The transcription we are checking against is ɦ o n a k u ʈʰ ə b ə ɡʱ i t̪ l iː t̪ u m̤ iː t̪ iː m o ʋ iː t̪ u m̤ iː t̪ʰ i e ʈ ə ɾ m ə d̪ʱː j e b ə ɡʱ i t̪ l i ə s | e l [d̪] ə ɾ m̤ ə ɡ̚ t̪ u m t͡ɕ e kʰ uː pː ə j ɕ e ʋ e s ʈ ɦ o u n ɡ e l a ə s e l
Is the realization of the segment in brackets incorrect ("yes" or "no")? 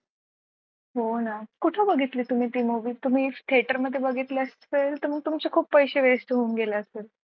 yes